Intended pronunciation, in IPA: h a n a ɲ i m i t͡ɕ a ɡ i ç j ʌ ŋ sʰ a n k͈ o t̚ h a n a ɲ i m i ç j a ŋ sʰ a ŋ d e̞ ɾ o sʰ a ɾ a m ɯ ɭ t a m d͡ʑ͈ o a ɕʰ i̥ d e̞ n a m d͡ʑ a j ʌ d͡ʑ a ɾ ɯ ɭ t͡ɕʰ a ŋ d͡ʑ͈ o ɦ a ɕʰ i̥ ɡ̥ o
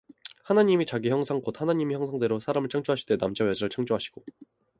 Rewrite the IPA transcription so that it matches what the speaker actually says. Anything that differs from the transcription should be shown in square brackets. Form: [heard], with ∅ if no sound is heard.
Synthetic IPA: h a n a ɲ i m i t͡ɕ a ɡ i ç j ʌ ŋ sʰ a [ŋ] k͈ o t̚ h a n a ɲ i m i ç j [ʌ] ŋ sʰ a ŋ d e̞ ɾ o sʰ a ɾ a m ɯ ɭ [t͡ɕʰ] a [ŋ] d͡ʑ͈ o a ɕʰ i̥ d e̞ n a m d͡ʑ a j ʌ d͡ʑ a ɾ ɯ ɭ t͡ɕʰ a ŋ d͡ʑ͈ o ɦ a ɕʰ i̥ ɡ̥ o